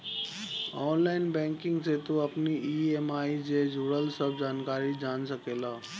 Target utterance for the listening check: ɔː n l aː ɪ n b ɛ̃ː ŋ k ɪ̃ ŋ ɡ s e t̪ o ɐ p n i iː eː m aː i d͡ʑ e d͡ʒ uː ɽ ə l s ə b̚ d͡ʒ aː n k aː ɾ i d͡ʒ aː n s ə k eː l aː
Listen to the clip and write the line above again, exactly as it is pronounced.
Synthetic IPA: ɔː n l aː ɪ n b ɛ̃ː ŋ k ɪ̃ ŋ ɡ s e t̪ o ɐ p n i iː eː m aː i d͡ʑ e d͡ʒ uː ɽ ə l s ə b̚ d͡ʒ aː n k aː ɾ i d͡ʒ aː n s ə k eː l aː